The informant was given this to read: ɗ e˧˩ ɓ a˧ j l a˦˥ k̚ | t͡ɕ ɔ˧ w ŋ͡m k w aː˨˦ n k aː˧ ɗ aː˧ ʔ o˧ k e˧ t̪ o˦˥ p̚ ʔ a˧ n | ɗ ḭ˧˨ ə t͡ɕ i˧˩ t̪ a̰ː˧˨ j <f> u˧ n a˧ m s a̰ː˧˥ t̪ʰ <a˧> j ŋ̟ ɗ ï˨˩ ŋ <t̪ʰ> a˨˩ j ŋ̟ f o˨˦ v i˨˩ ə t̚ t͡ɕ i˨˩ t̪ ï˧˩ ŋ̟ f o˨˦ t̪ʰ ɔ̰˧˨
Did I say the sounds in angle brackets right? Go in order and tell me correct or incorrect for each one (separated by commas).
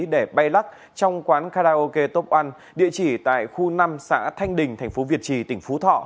incorrect, correct, correct